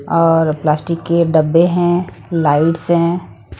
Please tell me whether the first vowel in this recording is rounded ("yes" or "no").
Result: yes